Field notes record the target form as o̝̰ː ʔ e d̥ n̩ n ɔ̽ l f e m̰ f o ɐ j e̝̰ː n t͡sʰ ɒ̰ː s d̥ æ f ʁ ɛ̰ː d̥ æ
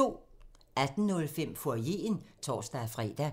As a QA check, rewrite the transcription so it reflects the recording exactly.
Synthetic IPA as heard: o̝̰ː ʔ æ d̥ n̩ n ɔ̽ l f e m̰ f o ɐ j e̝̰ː n t͡sʰ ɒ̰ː s d̥ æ f ʁ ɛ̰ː d̥ æ